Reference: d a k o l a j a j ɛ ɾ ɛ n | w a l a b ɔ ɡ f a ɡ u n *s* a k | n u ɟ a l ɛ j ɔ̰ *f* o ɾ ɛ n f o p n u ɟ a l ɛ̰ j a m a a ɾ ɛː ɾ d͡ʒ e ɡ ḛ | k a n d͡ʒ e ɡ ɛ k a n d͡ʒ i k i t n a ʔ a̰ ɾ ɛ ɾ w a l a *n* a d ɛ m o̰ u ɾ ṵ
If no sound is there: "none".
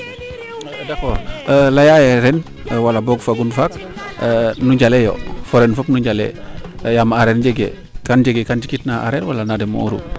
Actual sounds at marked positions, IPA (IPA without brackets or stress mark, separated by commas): f, f, n